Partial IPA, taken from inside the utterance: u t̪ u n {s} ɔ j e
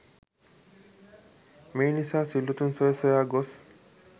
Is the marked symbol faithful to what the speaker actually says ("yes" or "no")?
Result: yes